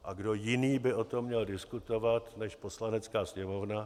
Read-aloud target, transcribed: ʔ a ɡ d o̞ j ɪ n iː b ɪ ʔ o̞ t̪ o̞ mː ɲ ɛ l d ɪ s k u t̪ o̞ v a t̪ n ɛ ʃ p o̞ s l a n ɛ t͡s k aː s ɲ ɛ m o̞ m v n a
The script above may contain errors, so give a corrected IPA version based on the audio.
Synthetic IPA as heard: ʔ a ɡ d o̞ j ɪ n iː b ɪ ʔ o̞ t̪ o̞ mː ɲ ɛ l d ɪ s k u t̪ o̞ v a t̪ n ɛ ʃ p o̞ s l a n ɛ t͡s k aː s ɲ ɛ m o̞ v n a